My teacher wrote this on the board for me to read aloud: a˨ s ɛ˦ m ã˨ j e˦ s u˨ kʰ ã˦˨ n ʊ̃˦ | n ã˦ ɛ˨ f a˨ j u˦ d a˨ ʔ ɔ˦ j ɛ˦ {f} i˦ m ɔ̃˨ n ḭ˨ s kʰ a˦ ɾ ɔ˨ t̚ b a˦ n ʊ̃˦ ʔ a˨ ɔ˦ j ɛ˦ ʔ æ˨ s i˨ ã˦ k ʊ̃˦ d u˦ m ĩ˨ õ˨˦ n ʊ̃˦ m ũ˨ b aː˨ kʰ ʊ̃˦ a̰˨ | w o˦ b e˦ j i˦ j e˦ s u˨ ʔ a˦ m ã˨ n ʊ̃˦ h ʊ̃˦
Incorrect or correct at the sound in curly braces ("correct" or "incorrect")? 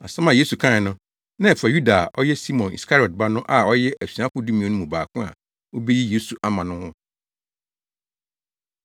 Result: incorrect